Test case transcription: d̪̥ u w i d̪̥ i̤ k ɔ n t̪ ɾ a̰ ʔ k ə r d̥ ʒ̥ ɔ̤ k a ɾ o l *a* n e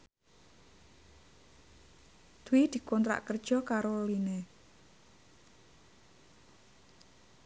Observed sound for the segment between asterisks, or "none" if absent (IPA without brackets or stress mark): i